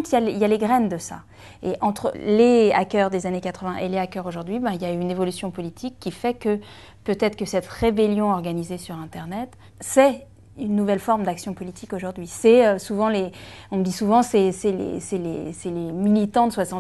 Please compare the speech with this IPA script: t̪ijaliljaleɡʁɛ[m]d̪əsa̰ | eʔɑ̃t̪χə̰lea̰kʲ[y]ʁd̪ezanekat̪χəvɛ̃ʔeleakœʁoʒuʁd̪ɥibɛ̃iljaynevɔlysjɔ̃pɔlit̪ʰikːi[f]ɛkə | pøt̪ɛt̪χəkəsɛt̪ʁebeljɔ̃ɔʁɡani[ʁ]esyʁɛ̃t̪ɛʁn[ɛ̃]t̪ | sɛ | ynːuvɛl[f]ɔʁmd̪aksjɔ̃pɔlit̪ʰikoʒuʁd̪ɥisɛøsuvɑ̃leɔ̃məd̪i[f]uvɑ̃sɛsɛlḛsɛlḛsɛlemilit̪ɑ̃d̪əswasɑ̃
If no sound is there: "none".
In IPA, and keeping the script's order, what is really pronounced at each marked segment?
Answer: n, œ, f, z, ɛ, f, s

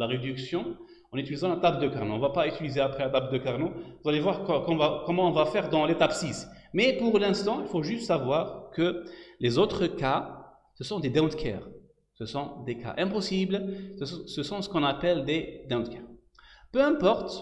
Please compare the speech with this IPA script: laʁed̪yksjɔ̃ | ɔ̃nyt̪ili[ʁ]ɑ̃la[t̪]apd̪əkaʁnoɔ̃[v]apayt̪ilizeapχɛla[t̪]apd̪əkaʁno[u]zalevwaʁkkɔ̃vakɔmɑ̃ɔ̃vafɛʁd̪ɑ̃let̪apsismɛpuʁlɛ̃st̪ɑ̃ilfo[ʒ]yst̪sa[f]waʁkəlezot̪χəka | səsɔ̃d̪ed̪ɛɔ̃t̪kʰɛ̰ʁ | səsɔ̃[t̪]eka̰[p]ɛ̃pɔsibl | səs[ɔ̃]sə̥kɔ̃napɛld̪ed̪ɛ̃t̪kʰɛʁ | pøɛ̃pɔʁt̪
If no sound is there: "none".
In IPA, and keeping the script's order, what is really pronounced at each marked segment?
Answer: z, t̪, v, t̪, u, ʒ, v, d̪, ʔ, ɔ̃

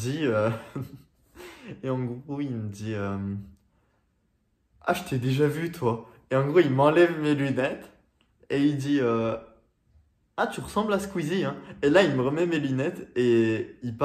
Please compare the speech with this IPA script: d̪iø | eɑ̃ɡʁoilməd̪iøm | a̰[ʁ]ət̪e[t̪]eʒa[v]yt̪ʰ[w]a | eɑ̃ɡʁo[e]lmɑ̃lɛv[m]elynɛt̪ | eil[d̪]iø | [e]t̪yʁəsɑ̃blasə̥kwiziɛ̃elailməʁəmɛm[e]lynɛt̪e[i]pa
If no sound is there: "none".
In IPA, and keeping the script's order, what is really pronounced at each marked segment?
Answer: ʒ, d̪, v, w, i, m, d̪, a, e, i

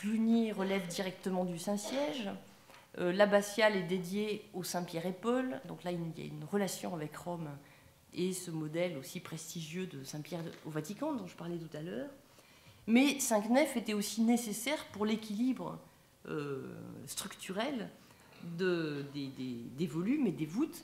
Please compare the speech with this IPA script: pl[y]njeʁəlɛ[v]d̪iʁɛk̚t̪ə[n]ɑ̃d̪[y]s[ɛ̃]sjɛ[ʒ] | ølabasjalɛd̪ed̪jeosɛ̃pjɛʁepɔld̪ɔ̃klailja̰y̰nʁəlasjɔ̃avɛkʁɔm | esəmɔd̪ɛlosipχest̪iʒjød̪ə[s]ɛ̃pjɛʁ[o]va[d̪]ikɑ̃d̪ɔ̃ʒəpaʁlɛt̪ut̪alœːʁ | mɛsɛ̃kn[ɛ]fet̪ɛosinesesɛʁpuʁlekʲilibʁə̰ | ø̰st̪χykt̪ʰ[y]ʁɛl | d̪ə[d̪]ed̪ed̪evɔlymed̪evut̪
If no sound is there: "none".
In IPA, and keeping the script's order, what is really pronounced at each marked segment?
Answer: y, v, m, y, ɛ̃, ʒ, s, o, t̪, ɛ, y, d̪

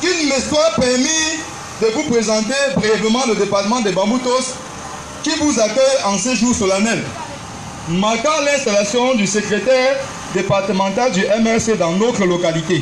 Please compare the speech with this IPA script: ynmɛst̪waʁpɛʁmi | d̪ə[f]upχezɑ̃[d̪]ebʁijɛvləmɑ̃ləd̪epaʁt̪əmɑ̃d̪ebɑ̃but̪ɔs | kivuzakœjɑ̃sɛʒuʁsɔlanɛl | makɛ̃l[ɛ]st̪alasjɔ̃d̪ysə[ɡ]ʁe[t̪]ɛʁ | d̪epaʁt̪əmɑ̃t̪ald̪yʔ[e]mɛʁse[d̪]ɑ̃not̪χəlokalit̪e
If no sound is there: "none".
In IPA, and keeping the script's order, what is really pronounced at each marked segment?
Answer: v, t̪, ɛ̃, k, t̪, ɛ, d̪

